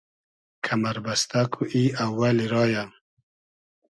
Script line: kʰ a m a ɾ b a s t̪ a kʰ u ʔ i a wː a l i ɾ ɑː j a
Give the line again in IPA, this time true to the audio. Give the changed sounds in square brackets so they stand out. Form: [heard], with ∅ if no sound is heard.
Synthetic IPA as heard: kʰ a m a ɾ b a s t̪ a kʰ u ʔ i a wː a l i ɾ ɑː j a